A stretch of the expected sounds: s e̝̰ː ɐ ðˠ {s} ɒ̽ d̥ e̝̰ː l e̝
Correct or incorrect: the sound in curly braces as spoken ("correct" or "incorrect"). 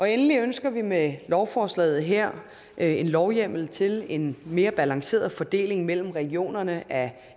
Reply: incorrect